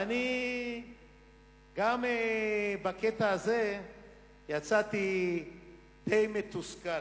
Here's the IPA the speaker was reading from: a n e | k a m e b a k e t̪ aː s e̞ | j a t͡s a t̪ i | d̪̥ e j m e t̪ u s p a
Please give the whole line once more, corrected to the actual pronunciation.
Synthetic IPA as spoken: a n i | ɡ a m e b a k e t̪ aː z e̞ | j a t͡s a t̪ i | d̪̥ e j m e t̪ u s k a